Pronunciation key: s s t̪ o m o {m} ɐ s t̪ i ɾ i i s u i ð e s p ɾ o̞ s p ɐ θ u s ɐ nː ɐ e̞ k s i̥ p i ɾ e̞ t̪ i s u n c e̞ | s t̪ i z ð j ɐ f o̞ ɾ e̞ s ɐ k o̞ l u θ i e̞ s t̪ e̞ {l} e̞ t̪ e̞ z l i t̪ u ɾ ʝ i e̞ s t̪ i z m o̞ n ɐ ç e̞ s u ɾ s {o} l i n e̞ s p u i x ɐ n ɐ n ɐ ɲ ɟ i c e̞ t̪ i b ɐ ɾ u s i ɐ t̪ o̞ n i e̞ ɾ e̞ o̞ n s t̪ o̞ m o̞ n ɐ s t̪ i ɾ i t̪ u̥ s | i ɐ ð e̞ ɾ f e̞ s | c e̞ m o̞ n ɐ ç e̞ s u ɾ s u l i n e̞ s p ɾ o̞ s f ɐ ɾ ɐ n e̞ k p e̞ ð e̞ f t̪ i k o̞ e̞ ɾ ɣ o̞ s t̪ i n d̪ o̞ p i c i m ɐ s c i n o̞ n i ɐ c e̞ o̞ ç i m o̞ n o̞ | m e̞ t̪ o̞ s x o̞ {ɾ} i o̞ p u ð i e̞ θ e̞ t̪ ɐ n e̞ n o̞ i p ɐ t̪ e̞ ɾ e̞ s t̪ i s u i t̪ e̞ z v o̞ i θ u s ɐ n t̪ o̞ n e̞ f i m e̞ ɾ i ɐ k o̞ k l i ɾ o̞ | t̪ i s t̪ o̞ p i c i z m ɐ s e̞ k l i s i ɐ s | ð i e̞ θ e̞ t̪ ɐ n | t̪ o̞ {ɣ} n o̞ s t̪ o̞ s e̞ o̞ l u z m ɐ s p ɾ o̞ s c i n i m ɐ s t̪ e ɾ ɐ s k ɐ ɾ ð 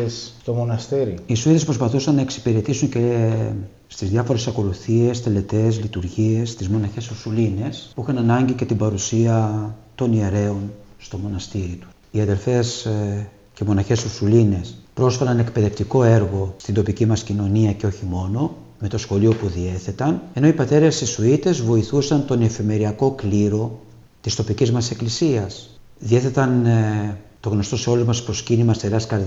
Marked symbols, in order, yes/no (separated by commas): no, yes, no, no, yes